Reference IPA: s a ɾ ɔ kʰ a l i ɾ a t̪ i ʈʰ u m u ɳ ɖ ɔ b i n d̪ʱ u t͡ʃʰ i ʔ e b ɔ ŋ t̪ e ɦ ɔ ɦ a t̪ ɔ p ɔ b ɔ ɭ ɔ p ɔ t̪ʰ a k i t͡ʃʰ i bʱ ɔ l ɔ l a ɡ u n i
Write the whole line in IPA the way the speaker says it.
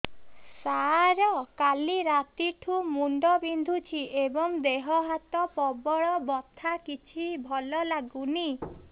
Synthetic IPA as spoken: s a ɾ ɔ k a l i ɾ a t̪ i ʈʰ u m u ɳ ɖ ɔ b i n d̪ʱ u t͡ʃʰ i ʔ e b ɔ ŋ d̪ e ɦ ɔ ɦ a t̪ ɔ p ɔ b ɔ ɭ ɔ b ɔ t̪ʰ a k i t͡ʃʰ i bʱ ɔ l ɔ l a ɡ u n i